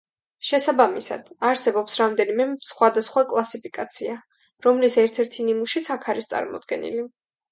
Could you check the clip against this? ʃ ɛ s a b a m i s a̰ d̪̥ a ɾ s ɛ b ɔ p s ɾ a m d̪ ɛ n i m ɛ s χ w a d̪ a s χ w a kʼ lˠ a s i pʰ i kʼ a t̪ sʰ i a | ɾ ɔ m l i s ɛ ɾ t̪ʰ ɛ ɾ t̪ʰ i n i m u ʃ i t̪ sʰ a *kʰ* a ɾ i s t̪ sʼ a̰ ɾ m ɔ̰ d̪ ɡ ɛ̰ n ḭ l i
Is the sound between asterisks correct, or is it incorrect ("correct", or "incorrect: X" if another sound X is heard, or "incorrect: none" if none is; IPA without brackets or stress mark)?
correct